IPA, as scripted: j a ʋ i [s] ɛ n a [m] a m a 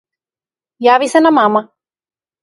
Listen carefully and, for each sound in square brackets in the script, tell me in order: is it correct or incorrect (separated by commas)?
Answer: correct, correct